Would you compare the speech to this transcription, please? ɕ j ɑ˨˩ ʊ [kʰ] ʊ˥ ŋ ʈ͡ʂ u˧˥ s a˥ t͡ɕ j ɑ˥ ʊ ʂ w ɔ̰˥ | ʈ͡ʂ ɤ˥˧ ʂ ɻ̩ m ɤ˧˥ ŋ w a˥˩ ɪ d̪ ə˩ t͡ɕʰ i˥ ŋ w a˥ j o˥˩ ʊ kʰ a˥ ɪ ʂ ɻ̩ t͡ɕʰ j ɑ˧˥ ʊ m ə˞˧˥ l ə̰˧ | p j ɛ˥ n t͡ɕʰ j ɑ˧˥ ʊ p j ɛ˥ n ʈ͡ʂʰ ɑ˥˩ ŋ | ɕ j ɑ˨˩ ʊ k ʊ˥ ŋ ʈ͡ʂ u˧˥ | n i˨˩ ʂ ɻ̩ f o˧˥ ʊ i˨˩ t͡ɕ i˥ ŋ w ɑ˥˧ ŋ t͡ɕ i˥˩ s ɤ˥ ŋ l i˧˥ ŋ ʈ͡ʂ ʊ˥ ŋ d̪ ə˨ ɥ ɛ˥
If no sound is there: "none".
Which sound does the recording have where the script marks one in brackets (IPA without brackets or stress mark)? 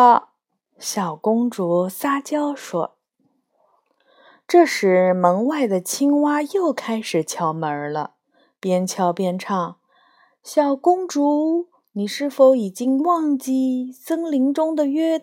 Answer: k